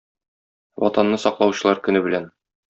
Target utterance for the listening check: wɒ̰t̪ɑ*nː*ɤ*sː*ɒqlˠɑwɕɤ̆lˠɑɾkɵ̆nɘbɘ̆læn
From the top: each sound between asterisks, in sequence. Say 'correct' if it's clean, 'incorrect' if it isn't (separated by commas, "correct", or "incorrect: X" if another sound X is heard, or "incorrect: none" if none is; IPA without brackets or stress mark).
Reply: correct, incorrect: s